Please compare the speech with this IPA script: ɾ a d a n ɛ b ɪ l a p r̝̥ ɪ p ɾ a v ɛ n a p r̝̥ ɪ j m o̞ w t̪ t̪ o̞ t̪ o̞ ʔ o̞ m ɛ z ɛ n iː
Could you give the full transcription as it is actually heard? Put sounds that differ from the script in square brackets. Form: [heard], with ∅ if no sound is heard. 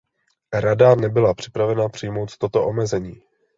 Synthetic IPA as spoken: ɾ a d a n ɛ b ɪ l a p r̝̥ ɪ p ɾ a v ɛ n a p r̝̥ ɪ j m o̞ w t̪ t̪ o̞ t̪ o̞ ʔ o̞ m ɛ z ɛ [ɲ] iː